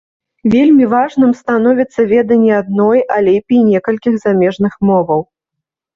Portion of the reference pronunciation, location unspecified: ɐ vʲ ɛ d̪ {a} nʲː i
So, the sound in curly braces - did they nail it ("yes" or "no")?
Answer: no